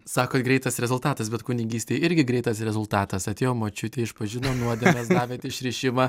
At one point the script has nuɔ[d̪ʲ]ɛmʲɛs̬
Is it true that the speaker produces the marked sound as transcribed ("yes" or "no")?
yes